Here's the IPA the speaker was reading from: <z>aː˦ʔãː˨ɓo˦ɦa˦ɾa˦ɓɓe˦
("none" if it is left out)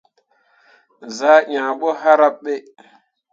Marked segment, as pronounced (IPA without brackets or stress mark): z